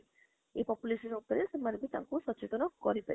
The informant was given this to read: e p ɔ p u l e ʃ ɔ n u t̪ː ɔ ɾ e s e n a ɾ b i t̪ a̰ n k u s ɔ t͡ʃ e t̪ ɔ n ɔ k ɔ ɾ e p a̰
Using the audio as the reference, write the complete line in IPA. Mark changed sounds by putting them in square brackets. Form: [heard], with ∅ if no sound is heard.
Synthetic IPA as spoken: e p ɔ p u l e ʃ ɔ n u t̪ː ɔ ɾ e s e [m] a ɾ b i t̪ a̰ [ŋ] k u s ɔ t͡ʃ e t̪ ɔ n ɔ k ɔ ɾ [i] p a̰

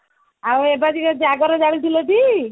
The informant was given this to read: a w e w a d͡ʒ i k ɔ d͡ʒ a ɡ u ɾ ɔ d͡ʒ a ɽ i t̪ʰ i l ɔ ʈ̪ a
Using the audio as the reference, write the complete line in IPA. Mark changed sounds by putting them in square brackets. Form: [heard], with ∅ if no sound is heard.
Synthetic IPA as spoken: a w e [b] a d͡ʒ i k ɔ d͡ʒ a ɡ [ɔ] ɾ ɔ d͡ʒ a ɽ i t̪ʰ i l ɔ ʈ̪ [i]

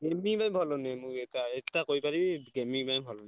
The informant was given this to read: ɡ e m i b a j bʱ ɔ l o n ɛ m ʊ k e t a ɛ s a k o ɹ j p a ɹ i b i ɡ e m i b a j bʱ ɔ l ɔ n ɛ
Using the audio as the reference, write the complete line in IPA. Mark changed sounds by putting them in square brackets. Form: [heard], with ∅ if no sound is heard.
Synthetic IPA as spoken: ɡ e m i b a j bʱ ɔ l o n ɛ m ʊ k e t a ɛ [t] a k o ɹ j p a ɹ i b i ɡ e m i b a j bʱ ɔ l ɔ n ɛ

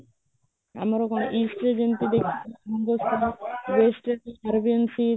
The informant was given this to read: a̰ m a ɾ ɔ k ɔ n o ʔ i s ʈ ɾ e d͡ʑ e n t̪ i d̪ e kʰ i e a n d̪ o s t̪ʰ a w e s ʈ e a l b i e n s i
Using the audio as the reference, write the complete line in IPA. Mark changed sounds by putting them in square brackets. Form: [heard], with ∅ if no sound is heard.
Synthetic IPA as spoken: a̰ m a ɾ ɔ k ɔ n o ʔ i s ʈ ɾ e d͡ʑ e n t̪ i d̪ e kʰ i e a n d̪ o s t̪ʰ a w e s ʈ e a [ɾ] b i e n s i

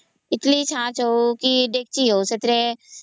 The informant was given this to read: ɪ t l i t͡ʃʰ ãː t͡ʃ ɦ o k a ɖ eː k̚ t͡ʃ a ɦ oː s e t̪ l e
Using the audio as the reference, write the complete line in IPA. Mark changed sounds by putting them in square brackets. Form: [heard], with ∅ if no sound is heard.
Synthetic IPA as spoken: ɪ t l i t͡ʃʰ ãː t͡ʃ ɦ o k [i] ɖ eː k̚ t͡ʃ [i] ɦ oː s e t̪ [ɾ] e

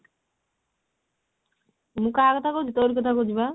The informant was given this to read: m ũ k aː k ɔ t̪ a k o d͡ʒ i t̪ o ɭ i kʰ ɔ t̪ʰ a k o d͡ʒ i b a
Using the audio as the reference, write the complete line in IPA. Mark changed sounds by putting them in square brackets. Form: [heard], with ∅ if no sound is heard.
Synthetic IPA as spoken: m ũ k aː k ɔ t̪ a k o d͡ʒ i t̪ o [ɾ] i [k] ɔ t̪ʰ a k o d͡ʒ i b a

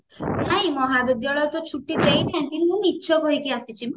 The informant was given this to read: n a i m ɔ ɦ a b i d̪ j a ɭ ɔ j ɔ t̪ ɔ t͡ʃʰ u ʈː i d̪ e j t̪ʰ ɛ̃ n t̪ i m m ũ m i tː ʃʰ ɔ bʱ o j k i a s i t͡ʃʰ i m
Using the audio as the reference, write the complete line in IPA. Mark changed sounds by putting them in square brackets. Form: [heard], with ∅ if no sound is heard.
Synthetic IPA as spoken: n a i m ɔ ɦ a b i d̪ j a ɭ ɔ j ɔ t̪ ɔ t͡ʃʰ u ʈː i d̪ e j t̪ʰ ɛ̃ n t̪ i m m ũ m i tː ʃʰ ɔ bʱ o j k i a s i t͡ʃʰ i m

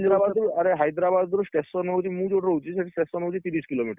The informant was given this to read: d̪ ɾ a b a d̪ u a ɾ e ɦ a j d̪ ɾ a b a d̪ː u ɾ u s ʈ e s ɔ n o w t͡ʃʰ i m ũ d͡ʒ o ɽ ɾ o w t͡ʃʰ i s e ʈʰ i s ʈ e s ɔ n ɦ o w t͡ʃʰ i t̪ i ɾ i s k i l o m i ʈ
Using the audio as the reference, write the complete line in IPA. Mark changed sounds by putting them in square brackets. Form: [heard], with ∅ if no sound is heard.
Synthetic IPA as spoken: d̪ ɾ a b a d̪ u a ɾ e ɦ a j d̪ ɾ a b a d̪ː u ɾ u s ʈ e s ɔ n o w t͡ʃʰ i m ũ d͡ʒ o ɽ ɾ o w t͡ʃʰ i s e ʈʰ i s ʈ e s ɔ n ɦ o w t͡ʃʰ i t̪ i ɾ i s k i l o m i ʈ

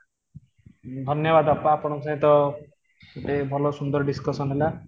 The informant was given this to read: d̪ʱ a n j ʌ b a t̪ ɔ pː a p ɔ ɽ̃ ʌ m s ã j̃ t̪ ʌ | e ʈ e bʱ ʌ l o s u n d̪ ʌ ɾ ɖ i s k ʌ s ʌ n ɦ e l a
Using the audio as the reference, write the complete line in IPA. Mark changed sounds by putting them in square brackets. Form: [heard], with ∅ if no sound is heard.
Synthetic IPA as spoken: d̪ʱ [ʌ] n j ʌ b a [d̪] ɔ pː a p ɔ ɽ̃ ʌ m s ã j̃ t̪ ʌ | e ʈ e bʱ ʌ l o s u n d̪ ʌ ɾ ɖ i s k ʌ s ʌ n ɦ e l a

